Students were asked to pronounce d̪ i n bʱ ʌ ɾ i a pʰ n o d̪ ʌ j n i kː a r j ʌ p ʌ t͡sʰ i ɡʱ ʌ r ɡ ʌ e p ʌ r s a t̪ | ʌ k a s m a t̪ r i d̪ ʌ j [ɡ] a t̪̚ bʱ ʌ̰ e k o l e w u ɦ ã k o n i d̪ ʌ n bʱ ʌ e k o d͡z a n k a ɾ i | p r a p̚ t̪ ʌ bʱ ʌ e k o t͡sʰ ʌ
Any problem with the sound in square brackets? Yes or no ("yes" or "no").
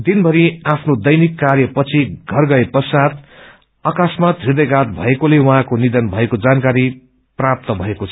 no